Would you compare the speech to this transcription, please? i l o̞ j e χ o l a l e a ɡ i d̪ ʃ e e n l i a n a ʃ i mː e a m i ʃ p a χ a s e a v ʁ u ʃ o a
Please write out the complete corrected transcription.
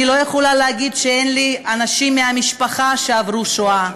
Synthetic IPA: i l o̞ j e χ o l a l e a ɡ i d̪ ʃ e e n l i a n a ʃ i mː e a m i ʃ p a χ a ʃ e a v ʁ u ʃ o a